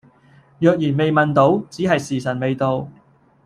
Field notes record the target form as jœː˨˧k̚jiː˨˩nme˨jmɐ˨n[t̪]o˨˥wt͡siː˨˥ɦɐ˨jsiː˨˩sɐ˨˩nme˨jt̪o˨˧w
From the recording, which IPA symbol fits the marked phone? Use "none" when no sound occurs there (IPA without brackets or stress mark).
t̪